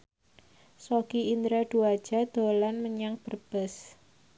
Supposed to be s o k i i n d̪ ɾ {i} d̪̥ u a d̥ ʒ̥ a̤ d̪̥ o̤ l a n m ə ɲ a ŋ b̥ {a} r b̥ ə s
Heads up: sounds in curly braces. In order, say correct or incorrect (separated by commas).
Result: incorrect, incorrect